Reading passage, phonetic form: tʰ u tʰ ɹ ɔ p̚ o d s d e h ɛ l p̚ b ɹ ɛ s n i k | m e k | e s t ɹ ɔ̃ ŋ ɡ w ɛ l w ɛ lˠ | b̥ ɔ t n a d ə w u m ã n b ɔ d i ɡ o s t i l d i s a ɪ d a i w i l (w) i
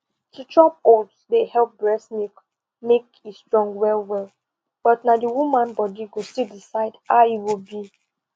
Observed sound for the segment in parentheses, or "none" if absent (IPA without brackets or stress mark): b